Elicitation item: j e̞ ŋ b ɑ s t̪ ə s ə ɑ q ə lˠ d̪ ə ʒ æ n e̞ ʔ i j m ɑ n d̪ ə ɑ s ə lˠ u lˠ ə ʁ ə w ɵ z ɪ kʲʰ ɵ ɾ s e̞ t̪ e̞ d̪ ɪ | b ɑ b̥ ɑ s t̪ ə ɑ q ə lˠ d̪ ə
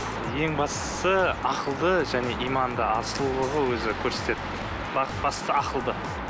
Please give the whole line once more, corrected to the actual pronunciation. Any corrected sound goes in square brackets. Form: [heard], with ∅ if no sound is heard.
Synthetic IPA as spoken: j e̞ ŋ b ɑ s t̪ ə s ə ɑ q ə lˠ d̪ ə ʒ æ n e̞ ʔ i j m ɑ n d̪ ə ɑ s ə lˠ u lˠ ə ʁ ə w ɵ z ɪ kʲʰ ɵ ɾ s e̞ t̪ e̞ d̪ ɪ | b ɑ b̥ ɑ s t̪ ə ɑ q ə lˠ d̪ ə